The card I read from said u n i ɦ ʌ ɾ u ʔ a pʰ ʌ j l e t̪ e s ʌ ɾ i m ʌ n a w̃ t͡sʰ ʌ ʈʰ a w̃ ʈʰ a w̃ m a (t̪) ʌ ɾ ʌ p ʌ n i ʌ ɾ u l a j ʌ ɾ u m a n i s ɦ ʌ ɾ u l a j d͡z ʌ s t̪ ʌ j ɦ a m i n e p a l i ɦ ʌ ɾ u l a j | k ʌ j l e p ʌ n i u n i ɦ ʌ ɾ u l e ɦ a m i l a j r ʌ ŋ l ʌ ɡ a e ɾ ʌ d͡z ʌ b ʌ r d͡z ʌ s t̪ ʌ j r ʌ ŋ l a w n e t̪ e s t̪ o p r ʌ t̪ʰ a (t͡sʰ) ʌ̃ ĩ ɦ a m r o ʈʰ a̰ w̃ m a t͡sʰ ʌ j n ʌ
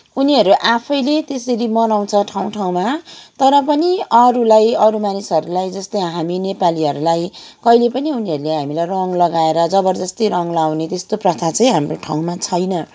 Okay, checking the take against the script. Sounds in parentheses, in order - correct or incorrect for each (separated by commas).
correct, incorrect